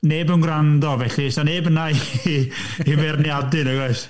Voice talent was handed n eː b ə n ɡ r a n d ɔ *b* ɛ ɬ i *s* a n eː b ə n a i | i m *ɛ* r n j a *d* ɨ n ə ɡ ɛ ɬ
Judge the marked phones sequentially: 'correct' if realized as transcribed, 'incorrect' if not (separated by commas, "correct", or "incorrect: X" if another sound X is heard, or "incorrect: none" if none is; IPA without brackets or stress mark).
incorrect: v, correct, correct, correct